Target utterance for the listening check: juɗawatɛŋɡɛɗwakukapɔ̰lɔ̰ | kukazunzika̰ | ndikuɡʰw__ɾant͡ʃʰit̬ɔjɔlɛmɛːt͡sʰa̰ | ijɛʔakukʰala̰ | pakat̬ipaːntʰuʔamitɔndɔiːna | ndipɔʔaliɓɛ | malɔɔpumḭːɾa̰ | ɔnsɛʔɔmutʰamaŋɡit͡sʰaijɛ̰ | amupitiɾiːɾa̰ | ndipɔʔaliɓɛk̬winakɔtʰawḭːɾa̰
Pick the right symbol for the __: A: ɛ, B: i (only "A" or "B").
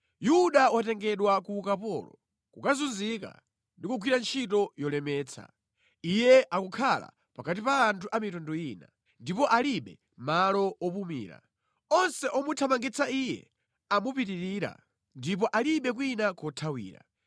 B